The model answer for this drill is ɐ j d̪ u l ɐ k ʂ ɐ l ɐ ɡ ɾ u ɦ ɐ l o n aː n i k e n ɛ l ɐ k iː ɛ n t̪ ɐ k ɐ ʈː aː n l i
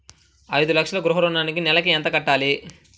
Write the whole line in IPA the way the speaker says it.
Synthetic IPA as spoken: ɐ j d̪ u l ɐ k ʂ ɐ l ɐ ɡ ɾ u ɦ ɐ ɾ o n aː n i k i n ɛ l ɐ k i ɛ n t̪ ɐ k ɐ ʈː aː l i